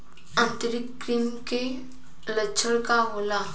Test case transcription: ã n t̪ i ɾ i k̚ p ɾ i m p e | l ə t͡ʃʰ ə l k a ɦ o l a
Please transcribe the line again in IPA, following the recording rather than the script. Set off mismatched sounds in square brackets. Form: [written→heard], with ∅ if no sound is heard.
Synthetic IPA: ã n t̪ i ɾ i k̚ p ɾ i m [p→k] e | l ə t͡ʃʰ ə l k a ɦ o l a